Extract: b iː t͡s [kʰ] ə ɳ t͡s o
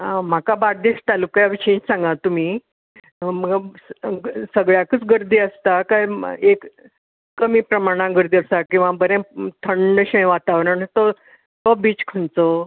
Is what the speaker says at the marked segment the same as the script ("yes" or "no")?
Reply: yes